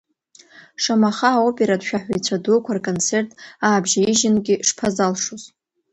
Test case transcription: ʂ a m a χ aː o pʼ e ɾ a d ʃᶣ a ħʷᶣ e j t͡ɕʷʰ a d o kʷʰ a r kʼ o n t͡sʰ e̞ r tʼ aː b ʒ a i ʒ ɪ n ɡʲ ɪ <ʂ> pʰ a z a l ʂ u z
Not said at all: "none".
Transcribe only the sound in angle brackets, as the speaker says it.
ʂ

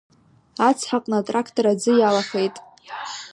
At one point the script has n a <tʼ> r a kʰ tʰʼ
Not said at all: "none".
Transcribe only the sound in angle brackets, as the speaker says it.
tʼ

